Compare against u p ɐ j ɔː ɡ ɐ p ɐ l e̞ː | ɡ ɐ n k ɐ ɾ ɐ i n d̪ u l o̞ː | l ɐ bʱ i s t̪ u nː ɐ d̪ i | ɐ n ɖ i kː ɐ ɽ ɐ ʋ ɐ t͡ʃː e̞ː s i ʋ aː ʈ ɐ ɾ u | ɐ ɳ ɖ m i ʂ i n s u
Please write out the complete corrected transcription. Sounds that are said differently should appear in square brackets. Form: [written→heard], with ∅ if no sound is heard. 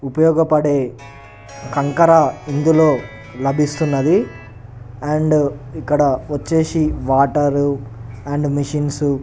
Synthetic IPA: u p ɐ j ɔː ɡ ɐ p ɐ [l→ɽ] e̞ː | [ɡ→k] ɐ [n→ŋ] k ɐ ɾ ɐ i n d̪ u l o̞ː | l ɐ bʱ i s t̪ u nː ɐ d̪ i | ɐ [n→ɳ] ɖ i kː ɐ ɽ ɐ ʋ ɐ t͡ʃː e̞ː s i ʋ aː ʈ ɐ ɾ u | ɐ ɳ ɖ m i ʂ i n s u